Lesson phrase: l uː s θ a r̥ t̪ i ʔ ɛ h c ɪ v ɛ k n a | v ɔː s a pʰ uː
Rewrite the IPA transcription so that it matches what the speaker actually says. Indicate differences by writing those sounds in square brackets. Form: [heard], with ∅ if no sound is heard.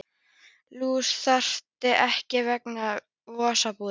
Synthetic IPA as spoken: l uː s θ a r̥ t̪ [ɪ] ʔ ɛ h c ɪ v ɛ k n a | v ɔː s a [p] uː